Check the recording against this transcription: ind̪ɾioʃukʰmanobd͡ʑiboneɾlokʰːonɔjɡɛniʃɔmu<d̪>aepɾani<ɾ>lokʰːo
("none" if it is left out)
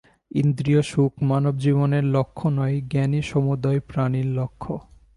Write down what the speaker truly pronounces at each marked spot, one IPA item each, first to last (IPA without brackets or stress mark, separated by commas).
d̪, ɾ